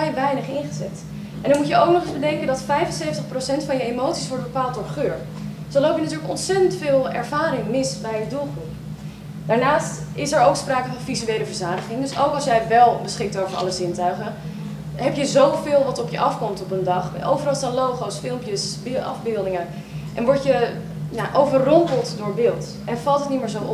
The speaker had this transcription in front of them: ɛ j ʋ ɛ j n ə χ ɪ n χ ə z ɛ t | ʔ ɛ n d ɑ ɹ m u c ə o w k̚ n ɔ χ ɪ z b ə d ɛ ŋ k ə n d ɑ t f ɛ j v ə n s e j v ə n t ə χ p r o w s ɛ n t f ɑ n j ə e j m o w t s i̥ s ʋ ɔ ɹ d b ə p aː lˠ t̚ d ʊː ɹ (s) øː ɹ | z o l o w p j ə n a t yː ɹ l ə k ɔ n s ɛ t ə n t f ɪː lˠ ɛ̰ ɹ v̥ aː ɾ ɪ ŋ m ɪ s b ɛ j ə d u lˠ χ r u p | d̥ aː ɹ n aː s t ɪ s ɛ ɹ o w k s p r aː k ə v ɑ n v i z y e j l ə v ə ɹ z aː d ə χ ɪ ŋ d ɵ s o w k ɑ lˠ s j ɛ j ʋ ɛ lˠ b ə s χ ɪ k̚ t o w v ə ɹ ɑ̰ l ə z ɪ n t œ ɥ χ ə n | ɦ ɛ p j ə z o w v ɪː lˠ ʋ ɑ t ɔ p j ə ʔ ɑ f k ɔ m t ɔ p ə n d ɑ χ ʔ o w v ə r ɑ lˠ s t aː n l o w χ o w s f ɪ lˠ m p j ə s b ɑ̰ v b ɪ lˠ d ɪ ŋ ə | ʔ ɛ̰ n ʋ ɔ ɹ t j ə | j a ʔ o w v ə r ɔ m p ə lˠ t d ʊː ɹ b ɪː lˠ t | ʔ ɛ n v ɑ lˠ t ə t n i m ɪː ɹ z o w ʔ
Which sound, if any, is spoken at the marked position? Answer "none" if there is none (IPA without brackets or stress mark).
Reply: χ